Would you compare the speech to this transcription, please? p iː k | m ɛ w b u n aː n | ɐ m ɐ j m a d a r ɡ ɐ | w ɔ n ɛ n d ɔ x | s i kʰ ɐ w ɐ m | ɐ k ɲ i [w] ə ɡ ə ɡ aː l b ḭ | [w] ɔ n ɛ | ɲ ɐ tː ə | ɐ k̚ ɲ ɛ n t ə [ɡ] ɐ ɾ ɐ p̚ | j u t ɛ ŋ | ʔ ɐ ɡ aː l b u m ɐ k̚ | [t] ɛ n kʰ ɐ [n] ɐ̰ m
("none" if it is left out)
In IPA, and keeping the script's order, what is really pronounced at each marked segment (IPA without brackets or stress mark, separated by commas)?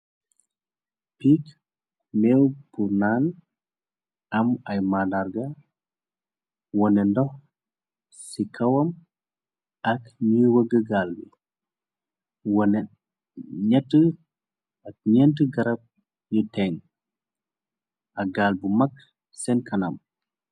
w, w, ɡ, s, n